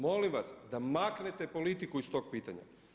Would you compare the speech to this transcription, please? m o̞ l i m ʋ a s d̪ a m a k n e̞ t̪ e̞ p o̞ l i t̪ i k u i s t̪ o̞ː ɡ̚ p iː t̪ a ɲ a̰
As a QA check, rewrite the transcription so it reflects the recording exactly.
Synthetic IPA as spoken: m o̞ l i m ʋ a s d̪ a m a k n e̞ t̪ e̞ p o̞ l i t̪ i k u i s t̪ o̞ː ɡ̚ p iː t̪ a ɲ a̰